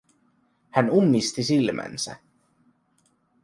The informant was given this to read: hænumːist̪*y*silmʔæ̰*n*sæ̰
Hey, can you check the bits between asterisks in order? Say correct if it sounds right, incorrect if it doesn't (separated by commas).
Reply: incorrect, correct